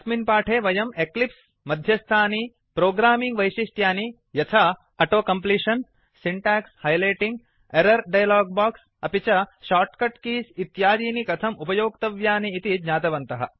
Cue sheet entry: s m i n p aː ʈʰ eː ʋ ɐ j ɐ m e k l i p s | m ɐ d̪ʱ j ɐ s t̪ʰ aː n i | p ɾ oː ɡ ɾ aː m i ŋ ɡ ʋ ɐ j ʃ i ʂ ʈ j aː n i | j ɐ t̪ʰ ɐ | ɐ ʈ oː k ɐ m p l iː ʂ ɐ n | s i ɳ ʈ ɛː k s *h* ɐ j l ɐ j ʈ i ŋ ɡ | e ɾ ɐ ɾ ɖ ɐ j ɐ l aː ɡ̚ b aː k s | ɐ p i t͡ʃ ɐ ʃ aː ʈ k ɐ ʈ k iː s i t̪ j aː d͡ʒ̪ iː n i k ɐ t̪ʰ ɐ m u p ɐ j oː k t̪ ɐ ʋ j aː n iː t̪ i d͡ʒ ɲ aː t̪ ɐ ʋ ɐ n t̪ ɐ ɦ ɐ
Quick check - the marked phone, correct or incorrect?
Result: correct